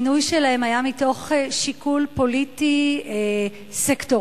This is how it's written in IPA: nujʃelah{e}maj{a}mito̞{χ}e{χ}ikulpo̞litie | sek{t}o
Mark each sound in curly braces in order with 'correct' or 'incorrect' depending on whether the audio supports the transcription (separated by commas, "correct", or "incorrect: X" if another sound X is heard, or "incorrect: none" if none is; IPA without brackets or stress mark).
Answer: correct, correct, correct, incorrect: ʃ, correct